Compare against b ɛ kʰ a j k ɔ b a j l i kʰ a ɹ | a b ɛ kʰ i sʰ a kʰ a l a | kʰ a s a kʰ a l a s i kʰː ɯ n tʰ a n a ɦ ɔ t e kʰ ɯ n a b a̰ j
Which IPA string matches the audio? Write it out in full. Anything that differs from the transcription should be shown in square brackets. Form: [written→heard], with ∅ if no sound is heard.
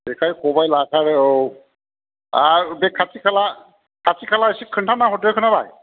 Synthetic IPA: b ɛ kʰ a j k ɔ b a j l [i→a] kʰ a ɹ | a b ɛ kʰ [i→a] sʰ [a→i] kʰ a l a | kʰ a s [a→i] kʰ a l a s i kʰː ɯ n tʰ a n a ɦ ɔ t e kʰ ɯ n a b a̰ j